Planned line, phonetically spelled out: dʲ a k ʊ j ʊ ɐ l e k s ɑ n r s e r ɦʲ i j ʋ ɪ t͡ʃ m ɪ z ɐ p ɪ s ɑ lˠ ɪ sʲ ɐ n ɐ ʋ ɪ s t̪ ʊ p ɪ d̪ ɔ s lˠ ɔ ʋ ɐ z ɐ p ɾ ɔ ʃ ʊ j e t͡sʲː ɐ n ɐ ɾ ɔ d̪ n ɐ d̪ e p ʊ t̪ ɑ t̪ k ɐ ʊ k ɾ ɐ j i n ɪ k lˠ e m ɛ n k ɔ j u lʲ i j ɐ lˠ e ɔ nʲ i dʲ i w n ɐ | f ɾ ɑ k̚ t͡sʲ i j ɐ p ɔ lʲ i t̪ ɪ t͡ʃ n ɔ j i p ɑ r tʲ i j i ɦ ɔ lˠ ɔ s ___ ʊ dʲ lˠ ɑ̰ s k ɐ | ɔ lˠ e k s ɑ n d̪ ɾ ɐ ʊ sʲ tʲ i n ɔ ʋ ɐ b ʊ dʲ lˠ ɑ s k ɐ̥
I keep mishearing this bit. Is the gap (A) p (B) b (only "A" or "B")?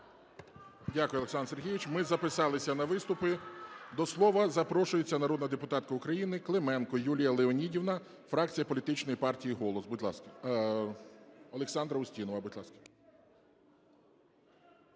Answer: B